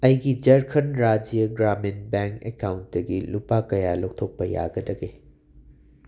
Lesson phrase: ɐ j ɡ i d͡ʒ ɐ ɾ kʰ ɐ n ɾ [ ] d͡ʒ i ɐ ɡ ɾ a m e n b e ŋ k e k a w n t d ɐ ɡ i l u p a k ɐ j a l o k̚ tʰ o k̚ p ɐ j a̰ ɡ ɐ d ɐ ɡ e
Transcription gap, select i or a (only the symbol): a